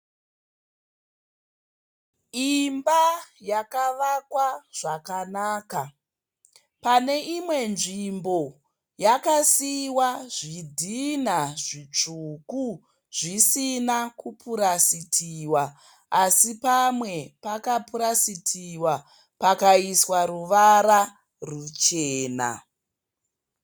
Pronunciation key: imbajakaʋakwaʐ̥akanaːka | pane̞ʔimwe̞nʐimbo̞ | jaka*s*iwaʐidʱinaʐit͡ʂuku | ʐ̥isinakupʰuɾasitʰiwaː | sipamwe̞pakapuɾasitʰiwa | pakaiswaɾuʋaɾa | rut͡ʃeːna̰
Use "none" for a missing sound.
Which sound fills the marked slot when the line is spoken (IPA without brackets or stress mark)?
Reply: s